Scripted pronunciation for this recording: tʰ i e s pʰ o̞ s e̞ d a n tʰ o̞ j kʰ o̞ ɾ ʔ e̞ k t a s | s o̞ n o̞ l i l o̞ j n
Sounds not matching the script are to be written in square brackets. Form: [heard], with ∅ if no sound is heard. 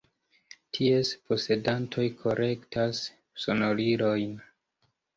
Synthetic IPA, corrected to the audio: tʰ i e s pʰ o̞ s e̞ d a n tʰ o̞ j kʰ o̞ ɾ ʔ e̞ k t a s | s o̞ n o̞ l i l o̞ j n